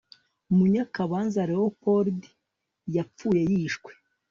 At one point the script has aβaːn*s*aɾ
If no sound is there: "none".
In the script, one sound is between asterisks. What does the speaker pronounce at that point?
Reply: z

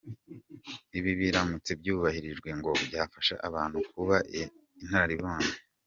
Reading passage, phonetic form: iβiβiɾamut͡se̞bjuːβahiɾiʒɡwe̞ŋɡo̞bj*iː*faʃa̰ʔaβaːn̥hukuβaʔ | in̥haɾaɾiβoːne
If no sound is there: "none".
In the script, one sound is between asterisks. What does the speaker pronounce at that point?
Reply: aː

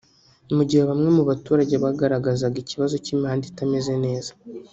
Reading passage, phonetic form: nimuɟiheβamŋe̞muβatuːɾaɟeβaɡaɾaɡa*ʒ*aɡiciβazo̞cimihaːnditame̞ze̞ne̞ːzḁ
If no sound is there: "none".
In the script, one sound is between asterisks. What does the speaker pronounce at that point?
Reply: z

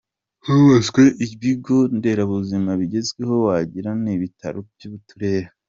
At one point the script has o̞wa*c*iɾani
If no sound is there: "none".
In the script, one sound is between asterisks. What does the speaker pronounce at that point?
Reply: ɟ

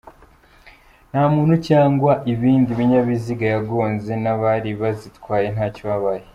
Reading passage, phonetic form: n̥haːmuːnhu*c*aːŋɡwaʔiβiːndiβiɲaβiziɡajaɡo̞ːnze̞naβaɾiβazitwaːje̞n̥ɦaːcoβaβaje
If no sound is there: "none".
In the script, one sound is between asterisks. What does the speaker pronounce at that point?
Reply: c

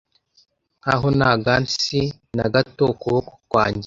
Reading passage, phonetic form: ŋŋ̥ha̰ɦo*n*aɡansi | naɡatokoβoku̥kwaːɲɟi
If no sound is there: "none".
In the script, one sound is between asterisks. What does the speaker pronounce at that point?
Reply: n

